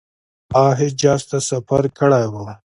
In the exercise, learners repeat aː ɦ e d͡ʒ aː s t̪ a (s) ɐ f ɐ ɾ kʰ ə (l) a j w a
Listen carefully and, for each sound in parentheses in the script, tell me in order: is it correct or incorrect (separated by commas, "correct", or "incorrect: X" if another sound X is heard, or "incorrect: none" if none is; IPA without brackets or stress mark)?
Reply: correct, incorrect: ɽ